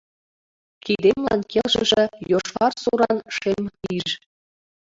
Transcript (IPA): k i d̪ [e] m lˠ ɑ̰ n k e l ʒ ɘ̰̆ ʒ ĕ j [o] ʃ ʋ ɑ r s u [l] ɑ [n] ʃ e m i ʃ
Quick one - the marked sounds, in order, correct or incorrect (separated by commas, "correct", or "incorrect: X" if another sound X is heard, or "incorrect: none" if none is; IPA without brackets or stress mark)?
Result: correct, correct, incorrect: ɾ, correct